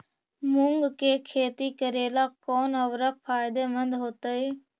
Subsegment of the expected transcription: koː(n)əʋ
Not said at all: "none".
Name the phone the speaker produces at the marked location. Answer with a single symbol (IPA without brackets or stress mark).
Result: n